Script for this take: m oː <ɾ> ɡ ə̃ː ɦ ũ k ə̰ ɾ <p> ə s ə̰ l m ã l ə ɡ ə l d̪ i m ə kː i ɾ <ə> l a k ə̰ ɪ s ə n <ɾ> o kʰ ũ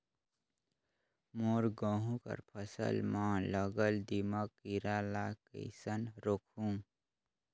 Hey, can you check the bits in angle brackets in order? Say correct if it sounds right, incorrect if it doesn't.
correct, incorrect, incorrect, correct

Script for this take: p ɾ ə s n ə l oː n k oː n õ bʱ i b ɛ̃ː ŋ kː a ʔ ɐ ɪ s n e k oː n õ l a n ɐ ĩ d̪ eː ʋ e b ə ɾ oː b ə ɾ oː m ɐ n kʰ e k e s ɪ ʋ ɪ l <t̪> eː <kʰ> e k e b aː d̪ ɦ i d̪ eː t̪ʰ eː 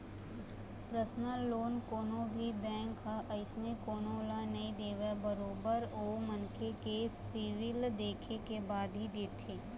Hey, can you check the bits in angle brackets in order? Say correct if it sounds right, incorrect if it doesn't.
incorrect, correct

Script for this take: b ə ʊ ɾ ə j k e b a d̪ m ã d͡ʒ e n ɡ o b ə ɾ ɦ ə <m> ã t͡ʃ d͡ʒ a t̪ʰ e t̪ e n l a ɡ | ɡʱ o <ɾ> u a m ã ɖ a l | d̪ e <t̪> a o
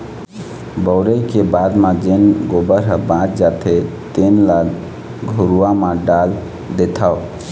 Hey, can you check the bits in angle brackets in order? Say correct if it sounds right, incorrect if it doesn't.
incorrect, correct, incorrect

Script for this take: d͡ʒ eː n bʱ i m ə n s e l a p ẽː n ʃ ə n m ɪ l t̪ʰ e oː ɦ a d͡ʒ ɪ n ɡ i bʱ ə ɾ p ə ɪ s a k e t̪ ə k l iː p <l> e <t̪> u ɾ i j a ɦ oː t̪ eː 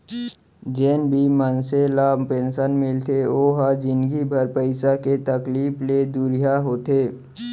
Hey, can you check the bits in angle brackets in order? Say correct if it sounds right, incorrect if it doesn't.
correct, incorrect

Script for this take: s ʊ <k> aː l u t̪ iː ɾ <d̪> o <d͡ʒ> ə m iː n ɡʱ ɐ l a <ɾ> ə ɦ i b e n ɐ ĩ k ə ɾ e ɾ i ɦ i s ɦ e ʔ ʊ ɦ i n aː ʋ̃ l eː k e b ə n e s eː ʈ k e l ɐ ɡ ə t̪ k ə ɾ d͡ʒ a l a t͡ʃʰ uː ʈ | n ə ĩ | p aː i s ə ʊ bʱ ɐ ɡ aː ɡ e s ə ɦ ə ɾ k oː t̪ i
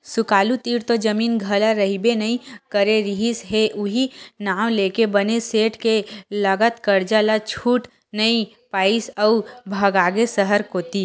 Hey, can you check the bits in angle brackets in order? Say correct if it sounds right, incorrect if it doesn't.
correct, incorrect, correct, correct

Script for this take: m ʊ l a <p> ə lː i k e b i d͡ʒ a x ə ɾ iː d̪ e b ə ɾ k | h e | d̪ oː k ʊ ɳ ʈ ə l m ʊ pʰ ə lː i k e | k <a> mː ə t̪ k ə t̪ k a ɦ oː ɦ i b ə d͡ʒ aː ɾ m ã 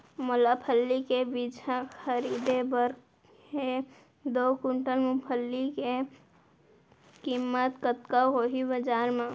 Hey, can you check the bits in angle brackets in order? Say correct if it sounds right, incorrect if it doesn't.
incorrect, incorrect

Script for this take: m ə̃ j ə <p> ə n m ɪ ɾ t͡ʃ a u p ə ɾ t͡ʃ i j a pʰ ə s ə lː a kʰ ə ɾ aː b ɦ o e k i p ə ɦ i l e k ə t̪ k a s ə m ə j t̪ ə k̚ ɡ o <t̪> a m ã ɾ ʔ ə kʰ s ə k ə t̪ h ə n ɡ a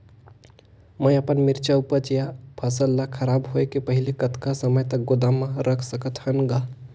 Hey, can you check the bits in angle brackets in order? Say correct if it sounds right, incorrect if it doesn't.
correct, incorrect

